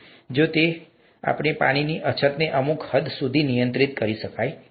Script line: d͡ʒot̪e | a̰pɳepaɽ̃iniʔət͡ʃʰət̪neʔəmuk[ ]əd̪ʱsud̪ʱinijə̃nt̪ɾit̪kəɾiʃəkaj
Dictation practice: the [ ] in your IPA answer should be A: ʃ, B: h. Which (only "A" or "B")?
B